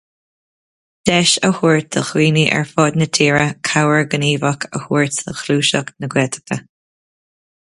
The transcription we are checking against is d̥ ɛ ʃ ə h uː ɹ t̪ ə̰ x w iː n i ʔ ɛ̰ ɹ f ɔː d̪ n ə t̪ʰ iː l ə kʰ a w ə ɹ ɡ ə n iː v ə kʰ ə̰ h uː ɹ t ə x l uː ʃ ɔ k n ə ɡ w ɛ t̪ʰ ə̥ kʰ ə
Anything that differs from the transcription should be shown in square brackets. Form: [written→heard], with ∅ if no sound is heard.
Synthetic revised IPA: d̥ ɛ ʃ ə h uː ɹ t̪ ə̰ x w iː n i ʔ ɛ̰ ɹ f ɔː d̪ n ə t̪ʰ iː [l→ɹ] ə kʰ a w ə ɹ ɡ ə n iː v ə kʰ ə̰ h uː ɹ t ə x l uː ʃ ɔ k n ə ɡ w ɛ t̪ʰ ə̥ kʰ ə